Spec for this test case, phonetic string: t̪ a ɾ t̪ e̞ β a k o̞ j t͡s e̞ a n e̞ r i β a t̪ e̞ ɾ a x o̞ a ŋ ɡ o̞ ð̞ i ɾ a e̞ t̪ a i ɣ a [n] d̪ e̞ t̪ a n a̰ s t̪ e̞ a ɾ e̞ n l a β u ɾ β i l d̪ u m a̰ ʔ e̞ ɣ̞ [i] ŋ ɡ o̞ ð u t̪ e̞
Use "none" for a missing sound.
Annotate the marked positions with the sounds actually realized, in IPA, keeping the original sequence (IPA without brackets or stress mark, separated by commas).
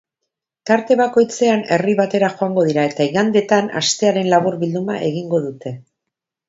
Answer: n, i